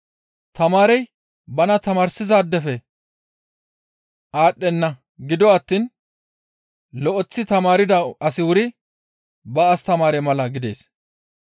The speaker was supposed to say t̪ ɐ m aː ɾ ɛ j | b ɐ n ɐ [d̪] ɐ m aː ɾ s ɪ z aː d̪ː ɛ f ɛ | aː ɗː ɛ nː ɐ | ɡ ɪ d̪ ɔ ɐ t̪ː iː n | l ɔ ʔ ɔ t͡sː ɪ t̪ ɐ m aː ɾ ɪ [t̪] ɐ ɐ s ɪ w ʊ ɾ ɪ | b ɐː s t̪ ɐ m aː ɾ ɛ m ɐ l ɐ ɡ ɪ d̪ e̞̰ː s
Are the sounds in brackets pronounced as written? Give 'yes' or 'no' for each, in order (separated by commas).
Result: no, no